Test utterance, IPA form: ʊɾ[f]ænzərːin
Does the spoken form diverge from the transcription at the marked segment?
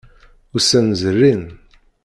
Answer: yes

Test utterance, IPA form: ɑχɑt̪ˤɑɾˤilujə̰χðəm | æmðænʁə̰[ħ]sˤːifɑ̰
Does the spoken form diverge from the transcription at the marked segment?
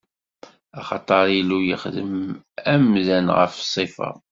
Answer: yes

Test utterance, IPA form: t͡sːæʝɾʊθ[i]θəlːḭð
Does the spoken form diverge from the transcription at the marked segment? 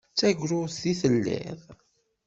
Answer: no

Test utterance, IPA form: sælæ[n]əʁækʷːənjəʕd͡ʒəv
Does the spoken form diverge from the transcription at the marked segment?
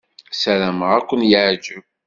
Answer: yes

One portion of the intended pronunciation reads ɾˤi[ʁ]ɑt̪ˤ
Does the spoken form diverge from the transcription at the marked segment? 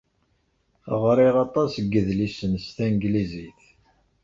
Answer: no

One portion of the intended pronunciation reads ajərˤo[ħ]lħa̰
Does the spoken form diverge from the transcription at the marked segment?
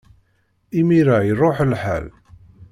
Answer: no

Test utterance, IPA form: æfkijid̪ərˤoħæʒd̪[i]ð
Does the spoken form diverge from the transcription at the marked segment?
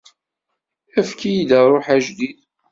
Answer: no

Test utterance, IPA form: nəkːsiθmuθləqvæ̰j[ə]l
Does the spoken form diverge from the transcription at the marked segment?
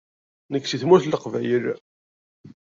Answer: no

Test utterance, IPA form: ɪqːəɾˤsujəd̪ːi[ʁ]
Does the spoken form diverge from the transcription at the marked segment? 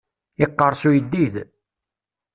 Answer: yes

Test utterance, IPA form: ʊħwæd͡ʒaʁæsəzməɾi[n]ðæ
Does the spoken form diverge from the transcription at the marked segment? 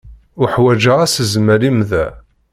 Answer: yes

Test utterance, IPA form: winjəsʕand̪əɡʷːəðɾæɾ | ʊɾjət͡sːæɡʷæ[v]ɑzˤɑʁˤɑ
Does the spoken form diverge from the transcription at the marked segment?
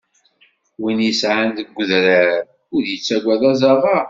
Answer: yes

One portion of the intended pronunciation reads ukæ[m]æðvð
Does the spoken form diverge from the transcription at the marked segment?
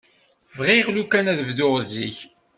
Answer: yes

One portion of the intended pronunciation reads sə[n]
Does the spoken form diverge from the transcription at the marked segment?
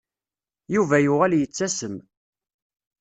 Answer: yes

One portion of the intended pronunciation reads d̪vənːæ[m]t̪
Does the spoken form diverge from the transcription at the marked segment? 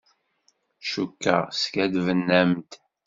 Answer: no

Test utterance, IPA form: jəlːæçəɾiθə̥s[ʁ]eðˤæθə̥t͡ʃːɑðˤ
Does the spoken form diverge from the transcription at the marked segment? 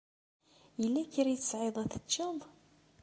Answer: yes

